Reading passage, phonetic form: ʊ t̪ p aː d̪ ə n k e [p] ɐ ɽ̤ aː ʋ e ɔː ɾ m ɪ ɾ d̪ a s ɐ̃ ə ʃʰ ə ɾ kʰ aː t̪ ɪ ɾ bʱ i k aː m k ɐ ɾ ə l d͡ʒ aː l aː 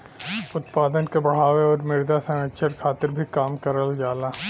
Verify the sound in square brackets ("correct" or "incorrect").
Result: incorrect